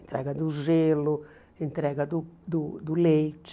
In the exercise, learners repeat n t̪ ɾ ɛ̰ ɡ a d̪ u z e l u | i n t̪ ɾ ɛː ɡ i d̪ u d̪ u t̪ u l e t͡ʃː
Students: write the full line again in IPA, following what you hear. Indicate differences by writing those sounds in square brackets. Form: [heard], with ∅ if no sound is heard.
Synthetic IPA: n t̪ ɾ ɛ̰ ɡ a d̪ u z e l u | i n t̪ ɾ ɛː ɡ [a] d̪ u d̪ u [d̪] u l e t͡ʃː